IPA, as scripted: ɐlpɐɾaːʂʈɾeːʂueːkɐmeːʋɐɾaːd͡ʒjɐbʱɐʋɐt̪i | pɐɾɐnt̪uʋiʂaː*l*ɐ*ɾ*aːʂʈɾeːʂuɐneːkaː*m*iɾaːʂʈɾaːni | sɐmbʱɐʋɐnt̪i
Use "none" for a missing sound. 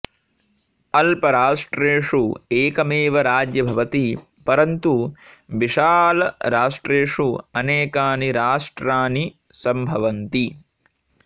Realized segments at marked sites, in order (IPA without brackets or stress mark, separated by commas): l, ɾ, n